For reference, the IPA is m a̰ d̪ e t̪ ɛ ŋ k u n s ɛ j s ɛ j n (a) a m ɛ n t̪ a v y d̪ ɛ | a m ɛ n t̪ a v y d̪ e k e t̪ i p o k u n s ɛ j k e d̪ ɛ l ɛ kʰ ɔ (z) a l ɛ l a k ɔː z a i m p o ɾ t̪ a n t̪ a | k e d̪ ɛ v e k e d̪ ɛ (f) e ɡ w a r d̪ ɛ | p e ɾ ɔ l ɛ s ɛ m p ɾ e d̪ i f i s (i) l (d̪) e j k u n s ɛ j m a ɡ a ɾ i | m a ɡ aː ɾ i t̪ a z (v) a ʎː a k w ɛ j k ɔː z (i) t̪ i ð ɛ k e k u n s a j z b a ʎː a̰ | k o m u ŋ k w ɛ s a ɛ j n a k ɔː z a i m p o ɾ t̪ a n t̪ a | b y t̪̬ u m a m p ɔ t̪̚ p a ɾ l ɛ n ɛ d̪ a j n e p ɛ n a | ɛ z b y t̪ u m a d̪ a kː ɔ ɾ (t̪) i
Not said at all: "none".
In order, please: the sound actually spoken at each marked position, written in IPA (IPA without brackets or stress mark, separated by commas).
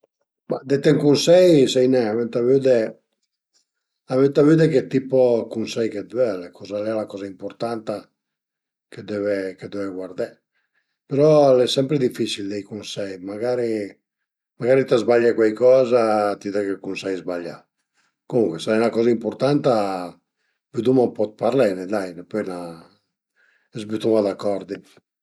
ɛ, z, v, i, d̪, b, a, d̪